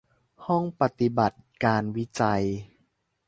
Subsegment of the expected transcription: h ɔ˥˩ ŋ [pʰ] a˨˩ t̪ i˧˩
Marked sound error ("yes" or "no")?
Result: yes